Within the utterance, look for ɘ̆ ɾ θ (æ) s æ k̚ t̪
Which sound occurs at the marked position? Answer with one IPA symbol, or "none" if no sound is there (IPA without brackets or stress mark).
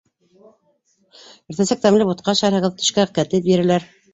æ